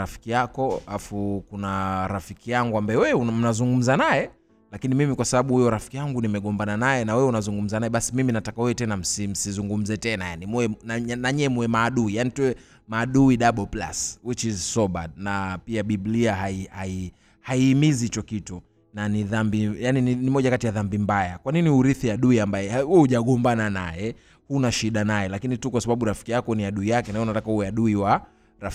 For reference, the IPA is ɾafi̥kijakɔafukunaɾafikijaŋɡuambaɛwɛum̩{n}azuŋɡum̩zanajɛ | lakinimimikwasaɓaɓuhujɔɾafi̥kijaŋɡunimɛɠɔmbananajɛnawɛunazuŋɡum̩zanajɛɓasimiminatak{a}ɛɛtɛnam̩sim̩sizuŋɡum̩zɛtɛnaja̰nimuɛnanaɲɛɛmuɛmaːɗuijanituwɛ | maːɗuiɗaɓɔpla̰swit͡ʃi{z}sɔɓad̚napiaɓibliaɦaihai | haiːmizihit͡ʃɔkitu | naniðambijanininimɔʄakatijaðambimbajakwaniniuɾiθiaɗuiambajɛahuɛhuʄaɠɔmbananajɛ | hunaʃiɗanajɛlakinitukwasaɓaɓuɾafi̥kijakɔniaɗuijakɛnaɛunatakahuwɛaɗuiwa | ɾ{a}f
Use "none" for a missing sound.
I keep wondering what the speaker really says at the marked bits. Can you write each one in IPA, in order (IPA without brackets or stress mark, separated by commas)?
n, a, z, a